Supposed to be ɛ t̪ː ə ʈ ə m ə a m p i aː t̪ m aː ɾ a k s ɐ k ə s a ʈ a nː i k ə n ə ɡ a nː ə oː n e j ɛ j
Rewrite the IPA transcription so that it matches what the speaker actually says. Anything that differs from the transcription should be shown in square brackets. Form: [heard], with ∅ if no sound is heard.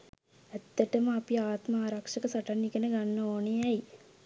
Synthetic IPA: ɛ t̪ː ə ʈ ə m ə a [∅] p i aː t̪ m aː ɾ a k [ʂ] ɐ k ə s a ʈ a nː i k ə n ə ɡ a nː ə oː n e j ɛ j

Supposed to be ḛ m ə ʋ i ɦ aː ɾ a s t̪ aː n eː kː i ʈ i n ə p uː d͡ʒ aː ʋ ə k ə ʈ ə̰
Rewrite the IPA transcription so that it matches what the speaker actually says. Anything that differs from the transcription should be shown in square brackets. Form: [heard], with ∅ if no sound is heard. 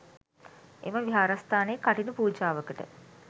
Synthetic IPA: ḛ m ə ʋ i ɦ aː ɾ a s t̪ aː n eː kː [a] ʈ i n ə p uː d͡ʒ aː ʋ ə k ə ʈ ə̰

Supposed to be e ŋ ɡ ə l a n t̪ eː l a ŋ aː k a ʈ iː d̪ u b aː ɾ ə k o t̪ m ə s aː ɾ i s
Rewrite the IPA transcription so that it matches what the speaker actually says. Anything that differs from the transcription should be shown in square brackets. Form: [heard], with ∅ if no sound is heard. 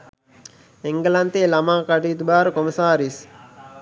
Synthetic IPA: e ŋ ɡ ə l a n t̪ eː l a [m] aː k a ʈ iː [t̪] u b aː ɾ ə k o [∅] m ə s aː ɾ i s

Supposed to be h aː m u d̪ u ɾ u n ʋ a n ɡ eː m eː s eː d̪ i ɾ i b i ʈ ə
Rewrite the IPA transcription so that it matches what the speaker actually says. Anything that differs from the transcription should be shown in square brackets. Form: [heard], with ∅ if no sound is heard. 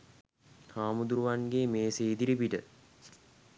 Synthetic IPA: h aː m u d̪ u ɾ u [∅] ʋ a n ɡ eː m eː s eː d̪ i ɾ i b i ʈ ə

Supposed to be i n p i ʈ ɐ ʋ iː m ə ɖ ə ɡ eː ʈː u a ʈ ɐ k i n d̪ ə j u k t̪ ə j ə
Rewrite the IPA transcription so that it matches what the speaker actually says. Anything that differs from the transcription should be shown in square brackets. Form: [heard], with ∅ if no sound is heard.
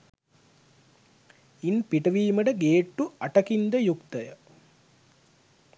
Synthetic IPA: i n p i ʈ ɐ ʋ iː m ə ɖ ə ɡ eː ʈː u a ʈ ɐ k i n d̪ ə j u k t̪ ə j ə

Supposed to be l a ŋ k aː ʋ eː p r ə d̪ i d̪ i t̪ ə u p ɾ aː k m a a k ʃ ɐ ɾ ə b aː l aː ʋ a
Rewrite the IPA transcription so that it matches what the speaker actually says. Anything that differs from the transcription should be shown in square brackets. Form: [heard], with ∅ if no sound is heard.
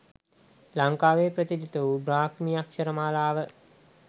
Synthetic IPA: l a ŋ k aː ʋ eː p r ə [t̪] i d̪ i t̪ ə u [b] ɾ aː k m [i] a k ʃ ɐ ɾ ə [m] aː l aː ʋ [ə]

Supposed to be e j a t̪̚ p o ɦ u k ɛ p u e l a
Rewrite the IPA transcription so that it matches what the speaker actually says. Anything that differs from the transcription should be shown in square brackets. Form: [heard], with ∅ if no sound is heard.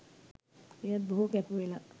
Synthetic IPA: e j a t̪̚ [b] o ɦ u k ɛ p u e l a

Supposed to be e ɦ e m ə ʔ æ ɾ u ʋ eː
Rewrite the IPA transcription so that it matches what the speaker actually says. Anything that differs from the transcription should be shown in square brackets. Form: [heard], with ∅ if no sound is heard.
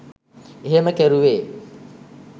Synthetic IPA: e ɦ e m ə [k] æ ɾ u ʋ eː

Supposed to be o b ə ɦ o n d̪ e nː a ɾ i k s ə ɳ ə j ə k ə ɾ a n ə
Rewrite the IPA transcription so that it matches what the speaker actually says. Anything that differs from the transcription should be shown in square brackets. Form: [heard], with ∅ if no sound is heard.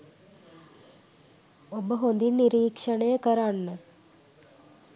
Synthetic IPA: o b ə ɦ o n d̪ [i] nː [i] ɾ [iː] k [ʂ] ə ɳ ə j ə k ə ɾ a [nː] ə

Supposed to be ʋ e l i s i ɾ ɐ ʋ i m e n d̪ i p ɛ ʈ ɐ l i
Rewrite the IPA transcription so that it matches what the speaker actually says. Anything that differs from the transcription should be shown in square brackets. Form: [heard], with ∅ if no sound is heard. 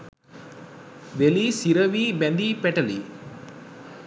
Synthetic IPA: ʋ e l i s i ɾ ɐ ʋ i [b] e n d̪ i p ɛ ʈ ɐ l i

